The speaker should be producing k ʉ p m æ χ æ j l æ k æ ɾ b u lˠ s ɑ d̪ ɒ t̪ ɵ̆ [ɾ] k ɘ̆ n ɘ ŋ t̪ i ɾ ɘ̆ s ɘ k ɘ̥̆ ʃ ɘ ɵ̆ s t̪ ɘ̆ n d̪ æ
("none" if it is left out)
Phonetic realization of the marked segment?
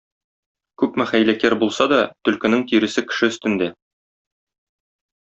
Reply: l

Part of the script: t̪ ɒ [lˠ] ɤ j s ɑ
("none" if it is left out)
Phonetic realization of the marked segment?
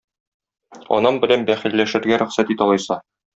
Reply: lˠ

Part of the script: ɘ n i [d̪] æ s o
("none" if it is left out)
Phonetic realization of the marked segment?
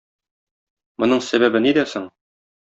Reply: d̪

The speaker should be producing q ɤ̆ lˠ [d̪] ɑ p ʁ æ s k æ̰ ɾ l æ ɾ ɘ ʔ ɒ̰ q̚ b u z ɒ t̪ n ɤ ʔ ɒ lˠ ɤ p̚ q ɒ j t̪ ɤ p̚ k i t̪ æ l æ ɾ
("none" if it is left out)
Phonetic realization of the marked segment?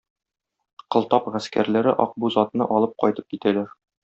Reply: t̪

